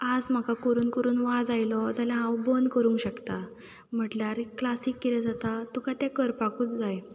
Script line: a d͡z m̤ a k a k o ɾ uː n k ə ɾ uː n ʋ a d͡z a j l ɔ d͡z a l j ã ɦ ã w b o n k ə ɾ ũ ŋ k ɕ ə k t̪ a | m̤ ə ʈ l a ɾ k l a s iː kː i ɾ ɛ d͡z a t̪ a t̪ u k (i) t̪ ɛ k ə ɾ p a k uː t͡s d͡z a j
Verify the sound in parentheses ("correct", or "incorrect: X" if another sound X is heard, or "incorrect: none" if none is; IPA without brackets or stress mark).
incorrect: a